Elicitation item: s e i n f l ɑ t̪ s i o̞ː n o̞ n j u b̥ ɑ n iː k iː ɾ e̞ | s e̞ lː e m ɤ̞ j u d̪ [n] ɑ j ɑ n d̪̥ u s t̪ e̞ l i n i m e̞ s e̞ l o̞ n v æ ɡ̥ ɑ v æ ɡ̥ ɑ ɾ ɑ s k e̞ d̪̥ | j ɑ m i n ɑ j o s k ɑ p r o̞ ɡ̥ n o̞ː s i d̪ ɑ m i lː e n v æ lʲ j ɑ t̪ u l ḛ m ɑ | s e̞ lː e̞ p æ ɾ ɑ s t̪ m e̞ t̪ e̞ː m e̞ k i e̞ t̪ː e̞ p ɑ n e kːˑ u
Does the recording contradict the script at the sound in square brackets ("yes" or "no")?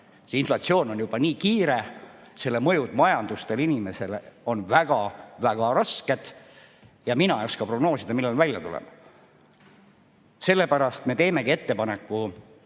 yes